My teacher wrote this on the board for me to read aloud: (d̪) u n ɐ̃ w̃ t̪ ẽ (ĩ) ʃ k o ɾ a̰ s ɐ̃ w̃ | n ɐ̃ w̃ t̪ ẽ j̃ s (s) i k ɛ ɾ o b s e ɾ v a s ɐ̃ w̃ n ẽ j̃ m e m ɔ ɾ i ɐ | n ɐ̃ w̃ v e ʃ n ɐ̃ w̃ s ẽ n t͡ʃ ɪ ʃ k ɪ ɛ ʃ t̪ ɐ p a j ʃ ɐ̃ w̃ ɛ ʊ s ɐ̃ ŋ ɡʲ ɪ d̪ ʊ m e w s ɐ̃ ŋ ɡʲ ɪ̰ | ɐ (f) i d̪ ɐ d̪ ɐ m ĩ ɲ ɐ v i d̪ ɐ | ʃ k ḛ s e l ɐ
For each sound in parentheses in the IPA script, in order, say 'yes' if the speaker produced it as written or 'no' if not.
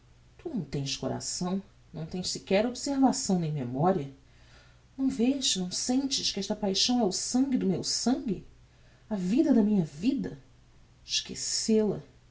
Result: no, no, yes, no

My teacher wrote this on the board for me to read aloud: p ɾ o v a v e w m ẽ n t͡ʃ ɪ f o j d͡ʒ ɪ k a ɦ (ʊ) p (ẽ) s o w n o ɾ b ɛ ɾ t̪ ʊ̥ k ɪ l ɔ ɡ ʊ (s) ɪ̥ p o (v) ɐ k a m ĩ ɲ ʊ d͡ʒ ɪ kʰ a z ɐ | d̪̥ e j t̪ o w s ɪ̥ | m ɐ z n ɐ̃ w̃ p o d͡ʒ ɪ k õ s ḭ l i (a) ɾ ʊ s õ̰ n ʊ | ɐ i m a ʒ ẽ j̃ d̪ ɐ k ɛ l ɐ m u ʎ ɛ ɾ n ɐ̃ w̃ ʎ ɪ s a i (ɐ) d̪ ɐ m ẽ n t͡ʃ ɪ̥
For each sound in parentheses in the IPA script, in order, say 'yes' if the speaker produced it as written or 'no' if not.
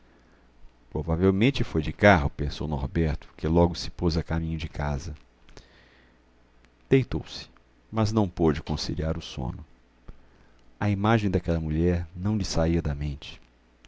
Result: yes, yes, yes, no, yes, yes

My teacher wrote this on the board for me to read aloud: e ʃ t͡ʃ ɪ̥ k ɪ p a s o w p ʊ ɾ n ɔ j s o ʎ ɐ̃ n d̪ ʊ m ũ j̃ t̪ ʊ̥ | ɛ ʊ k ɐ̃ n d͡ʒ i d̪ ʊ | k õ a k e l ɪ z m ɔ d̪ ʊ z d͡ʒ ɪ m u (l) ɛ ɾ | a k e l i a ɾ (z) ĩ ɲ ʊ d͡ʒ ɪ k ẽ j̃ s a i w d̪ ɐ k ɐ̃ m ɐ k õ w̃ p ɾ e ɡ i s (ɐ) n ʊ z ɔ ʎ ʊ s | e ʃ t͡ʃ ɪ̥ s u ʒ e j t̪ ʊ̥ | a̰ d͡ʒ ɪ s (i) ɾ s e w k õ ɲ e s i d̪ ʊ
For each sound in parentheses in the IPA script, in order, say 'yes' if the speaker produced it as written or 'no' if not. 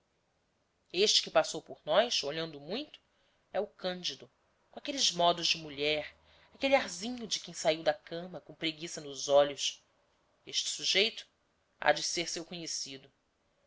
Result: no, yes, yes, no

